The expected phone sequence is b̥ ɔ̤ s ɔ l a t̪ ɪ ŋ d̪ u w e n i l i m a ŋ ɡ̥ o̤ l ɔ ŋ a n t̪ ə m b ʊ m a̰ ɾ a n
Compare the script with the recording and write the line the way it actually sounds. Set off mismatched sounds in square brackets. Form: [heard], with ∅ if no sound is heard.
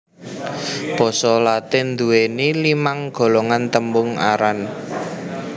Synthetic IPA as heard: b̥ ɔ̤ s ɔ l a t̪ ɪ [n] d̪ u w e n i l i m a ŋ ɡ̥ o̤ l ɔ ŋ a n t̪ ə m b ʊ [ŋ] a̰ ɾ a n